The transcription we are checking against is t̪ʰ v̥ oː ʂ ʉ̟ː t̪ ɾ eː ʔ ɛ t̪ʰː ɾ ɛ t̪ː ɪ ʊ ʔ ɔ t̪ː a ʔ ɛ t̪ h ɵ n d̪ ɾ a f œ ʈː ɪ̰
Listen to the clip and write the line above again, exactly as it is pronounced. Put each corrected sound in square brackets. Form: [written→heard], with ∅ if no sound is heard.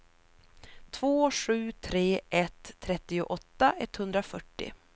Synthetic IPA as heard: t̪ʰ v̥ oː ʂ ʉ̟ː [t̪→t̪ʰ] ɾ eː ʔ ɛ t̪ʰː ɾ ɛ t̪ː ɪ ʊ ʔ ɔ t̪ː a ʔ ɛ t̪ h ɵ n d̪ ɾ a f œ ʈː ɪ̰